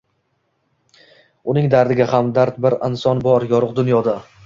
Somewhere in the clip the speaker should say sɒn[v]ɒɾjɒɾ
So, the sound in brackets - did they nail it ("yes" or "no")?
no